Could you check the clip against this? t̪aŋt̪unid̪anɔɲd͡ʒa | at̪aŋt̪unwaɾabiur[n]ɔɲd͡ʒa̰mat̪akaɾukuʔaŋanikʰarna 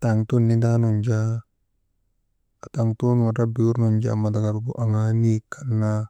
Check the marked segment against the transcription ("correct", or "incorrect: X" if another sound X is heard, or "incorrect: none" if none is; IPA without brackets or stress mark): correct